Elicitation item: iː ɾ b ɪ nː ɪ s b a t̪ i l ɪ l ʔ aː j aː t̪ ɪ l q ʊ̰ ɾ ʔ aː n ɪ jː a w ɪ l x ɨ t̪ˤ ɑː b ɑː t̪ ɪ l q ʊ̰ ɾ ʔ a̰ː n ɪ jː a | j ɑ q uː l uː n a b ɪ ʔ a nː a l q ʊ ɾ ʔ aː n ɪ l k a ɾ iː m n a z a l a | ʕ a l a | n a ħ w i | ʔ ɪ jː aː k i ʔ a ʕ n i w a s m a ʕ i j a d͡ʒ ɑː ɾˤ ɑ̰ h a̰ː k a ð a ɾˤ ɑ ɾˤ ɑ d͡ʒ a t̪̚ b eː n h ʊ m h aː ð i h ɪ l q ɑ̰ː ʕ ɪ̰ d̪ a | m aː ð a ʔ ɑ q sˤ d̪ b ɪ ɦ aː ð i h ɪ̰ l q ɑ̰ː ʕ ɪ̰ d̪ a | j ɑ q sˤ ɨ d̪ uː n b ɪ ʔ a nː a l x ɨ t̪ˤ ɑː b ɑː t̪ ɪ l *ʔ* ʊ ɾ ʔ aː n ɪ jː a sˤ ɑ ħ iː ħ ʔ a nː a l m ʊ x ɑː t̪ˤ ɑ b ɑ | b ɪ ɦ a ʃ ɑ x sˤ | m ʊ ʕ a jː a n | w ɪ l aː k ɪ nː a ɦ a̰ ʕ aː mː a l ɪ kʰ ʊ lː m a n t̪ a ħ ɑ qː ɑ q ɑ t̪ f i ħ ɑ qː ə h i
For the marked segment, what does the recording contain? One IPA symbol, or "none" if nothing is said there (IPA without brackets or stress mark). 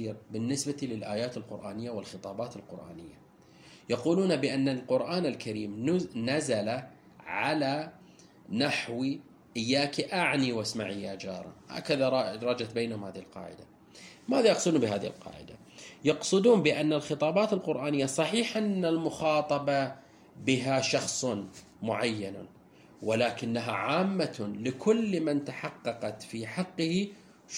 q